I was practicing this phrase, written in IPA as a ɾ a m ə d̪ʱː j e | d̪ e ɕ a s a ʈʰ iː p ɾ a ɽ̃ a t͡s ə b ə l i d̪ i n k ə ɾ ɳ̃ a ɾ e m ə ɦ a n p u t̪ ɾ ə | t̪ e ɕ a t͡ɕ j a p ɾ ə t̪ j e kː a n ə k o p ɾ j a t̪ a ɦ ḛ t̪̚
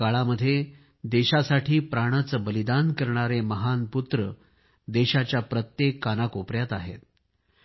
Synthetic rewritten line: a ɭ a m ə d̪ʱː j e | d̪ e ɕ a s a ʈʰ iː p ɾ a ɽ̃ a t͡s ə b ə l i d̪ a n k ə ɾ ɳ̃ a ɾ e m ə ɦ a n p u t̪ ɾ ə | d̪ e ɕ a t͡ɕ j a p ɾ ə t̪ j e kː a n a k o p ɾ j a t̪ a ɦ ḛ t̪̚